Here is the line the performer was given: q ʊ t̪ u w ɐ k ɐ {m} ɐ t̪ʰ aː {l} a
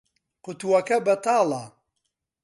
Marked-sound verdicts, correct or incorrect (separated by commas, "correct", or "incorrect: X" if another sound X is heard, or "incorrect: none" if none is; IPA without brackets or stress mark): incorrect: b, correct